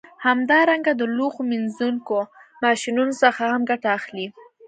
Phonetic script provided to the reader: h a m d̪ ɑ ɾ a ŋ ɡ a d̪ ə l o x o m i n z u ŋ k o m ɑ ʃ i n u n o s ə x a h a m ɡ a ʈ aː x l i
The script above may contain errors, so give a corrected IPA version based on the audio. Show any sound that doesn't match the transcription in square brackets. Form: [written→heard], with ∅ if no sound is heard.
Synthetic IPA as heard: h a m d̪ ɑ ɾ a ŋ ɡ a d̪ ə l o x o m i n z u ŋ k o m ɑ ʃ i n u n o s ə x a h a m ɡ a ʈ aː x l i